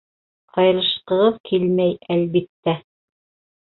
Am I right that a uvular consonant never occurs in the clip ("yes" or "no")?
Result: no